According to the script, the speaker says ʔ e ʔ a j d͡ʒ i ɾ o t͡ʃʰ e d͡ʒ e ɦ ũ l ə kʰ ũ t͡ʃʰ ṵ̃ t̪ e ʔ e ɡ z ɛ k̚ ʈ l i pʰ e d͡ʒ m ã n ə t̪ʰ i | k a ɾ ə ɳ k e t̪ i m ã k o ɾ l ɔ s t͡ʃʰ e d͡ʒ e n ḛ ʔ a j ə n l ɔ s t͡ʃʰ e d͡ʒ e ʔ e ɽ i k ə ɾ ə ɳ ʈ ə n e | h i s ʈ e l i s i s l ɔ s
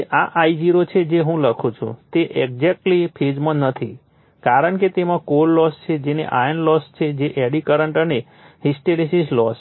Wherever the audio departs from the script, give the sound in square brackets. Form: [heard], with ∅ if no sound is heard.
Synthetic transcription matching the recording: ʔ [a] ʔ a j d͡ʒ i ɾ o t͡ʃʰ e d͡ʒ e ɦ ũ l ə kʰ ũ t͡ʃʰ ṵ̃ t̪ e ʔ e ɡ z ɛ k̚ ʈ l i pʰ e d͡ʒ m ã n ə t̪ʰ i | k a ɾ ə ɳ k e t̪ [e] m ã k o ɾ l ɔ s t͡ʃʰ e d͡ʒ e n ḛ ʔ a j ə n l ɔ s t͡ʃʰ e d͡ʒ e ʔ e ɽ i k ə ɾ ə ɳ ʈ ə n e | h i s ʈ e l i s i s l ɔ s